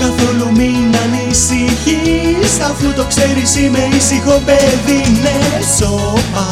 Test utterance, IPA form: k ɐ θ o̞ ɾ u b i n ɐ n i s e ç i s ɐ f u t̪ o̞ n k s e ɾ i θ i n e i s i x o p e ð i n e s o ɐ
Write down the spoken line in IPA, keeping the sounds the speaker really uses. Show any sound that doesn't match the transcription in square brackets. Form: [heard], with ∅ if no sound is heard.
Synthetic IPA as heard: k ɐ θ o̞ [l] u [m] i n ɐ n i s [i] ç i s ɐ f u t̪ o̞ [∅] k s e ɾ i [s] i [m] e i s i x o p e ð i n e s o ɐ